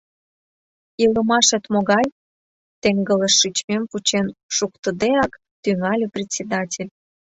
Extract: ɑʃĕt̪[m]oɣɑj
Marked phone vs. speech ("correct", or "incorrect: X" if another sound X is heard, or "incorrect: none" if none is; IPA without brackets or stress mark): correct